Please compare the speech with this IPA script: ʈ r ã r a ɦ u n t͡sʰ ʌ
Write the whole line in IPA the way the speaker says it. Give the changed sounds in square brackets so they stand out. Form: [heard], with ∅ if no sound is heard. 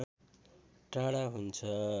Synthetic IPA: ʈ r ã [ɽ] a ɦ u n t͡sʰ ʌ

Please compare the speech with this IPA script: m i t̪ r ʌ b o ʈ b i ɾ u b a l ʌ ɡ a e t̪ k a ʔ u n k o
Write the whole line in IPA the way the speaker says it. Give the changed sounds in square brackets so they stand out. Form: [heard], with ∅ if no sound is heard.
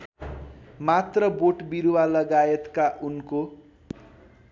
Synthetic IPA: m [a] t̪ r ʌ b o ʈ b i ɾ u [w] a l ʌ ɡ a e t̪ k a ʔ u n k o

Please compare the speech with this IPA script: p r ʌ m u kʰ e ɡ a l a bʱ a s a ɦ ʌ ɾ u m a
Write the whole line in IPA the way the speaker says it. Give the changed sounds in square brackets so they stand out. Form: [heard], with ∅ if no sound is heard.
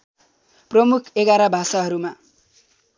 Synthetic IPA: p r ʌ m u kʰ e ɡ a [ɾ] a bʱ a s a ɦ ʌ ɾ u m a

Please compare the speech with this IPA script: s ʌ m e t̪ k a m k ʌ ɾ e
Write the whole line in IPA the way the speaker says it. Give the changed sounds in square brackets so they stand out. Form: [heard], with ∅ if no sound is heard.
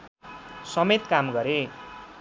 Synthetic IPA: s ʌ m e t̪ k a m [ɡ] ʌ ɾ e

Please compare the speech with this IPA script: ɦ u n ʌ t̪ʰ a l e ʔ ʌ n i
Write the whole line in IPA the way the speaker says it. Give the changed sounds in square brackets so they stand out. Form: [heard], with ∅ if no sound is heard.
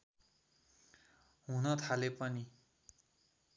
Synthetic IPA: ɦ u n ʌ t̪ʰ a l e [p] ʌ n i

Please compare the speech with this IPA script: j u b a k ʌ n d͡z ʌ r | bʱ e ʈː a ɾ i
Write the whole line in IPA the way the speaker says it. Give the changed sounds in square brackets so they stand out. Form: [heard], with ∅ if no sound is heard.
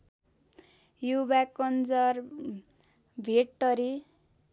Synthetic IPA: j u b a k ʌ n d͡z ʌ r | bʱ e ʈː [ʌ] ɾ i

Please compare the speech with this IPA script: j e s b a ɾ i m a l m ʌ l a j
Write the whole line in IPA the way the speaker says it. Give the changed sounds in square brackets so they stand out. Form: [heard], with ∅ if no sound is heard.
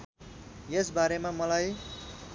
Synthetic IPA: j e s b a ɾ [e] m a [∅] m ʌ l a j

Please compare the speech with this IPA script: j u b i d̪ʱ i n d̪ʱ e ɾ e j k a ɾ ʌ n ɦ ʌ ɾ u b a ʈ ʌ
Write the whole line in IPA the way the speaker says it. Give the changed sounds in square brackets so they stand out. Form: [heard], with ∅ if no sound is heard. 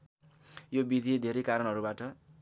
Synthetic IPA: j [o] b i d̪ʱ i [∅] d̪ʱ e ɾ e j k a ɾ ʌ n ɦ ʌ ɾ u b a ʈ ʌ

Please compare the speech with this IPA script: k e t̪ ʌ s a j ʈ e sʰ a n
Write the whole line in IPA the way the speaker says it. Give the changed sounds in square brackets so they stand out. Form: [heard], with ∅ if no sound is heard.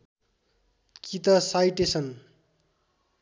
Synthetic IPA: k [i] t̪ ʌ s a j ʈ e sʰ [ʌ] n

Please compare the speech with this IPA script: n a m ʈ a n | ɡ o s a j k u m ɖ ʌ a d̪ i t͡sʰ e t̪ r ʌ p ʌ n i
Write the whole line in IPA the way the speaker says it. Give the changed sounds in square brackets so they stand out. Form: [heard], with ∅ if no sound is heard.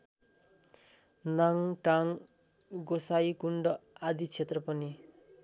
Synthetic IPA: n a [ŋ] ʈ a [ŋ] | ɡ o s a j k u [ɳ] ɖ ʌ a d̪ i t͡sʰ e t̪ r ʌ p ʌ n i

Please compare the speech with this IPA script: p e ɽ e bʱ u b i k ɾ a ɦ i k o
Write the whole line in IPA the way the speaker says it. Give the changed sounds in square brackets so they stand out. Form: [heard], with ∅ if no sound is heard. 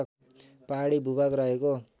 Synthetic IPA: p [a] ɽ [i] bʱ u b [a] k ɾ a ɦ [e] k o

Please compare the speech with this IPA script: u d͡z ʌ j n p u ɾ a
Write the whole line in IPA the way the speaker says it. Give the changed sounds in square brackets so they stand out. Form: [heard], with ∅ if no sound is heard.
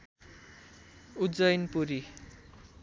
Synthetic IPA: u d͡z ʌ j n p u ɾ [i]

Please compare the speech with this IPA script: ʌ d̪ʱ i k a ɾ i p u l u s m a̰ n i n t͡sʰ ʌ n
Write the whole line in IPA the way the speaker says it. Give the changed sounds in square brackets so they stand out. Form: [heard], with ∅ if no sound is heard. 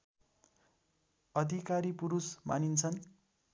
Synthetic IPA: ʌ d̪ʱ i k a ɾ i p u [ɾ] u s m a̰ n i n t͡sʰ ʌ n

